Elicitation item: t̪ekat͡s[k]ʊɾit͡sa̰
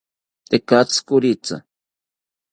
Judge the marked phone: correct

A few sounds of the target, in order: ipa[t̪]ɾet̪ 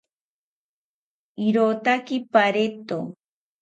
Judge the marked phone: incorrect: none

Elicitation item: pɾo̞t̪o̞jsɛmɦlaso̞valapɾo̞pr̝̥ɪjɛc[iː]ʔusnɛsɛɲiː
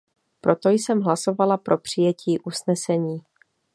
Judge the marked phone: correct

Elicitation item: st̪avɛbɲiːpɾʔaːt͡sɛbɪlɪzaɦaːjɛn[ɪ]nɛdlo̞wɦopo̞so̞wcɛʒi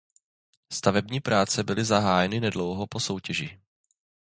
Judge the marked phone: correct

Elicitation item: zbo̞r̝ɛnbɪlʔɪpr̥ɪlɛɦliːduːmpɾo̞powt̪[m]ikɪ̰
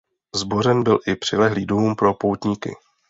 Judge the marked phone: incorrect: ɲ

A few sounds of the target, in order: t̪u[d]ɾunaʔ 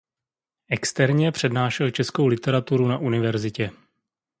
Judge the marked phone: incorrect: none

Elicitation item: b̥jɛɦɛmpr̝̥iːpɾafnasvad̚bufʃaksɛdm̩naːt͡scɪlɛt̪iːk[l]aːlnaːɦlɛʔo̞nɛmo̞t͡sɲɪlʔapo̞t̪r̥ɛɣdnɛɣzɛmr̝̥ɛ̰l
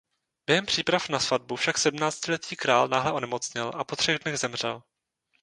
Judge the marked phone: incorrect: ɾ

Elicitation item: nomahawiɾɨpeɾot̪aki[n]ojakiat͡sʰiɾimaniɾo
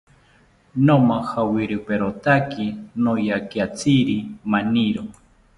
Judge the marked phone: correct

